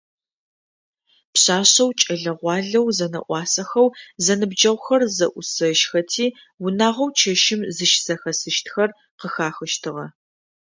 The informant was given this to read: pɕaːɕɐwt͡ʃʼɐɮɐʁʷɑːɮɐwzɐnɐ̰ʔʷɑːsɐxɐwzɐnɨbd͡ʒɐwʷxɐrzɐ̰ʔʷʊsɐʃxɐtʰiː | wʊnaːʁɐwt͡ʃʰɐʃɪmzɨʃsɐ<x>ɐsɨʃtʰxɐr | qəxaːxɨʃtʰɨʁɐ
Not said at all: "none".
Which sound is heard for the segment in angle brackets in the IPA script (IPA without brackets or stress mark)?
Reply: x